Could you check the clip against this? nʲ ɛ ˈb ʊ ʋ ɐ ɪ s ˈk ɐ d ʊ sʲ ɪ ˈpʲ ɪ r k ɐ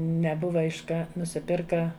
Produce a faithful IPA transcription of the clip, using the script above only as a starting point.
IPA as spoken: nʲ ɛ ˈb ʊ ʋ ɐ ɪ ʃ ˈk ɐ n ʊ sʲ ɪ ˈpʲ ɪ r k ɐ